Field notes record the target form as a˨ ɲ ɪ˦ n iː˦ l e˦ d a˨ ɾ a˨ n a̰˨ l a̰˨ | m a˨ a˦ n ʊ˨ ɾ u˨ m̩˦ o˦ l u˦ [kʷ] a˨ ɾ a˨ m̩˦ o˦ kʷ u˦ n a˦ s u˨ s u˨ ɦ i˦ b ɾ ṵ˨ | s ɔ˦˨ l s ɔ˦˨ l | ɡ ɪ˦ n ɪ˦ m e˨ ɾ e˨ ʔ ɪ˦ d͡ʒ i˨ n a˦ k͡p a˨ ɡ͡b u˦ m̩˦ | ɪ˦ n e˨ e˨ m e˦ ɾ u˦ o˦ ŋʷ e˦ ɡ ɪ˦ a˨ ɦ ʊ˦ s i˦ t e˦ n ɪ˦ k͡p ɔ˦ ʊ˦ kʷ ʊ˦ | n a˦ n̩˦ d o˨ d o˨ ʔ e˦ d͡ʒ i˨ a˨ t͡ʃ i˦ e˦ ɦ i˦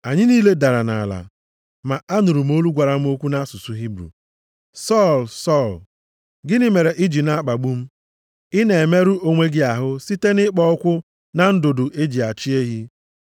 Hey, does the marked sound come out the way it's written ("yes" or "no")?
no